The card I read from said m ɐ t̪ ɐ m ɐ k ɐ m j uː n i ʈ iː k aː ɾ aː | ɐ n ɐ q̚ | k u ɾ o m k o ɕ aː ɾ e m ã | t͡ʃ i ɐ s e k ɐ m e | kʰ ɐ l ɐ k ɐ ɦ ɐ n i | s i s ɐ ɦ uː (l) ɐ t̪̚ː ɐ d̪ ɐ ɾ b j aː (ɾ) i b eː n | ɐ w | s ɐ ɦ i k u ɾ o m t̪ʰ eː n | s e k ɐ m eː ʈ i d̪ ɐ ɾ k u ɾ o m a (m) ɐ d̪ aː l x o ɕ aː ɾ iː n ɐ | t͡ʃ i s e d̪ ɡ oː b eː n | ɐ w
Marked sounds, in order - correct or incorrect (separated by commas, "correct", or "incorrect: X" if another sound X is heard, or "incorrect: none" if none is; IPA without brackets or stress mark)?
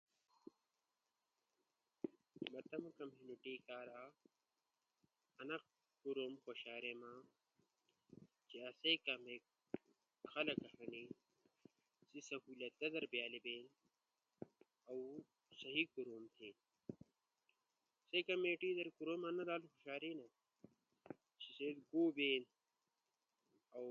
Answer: correct, incorrect: l, incorrect: n